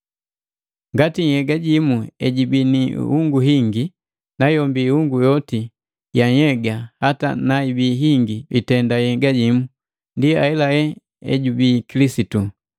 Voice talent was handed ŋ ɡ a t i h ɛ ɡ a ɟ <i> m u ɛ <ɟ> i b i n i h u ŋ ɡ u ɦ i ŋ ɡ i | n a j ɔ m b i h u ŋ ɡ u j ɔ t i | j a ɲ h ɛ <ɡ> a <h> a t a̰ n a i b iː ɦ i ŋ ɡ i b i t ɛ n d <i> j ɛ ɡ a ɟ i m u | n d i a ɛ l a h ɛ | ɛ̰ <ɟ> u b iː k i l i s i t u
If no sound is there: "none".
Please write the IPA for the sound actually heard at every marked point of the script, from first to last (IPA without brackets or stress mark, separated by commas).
i, ɟ, ɡ, h, a, ɟ